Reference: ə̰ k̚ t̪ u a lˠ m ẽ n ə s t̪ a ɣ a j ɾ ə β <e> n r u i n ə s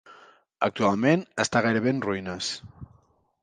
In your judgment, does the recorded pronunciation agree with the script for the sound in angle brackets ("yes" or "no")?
yes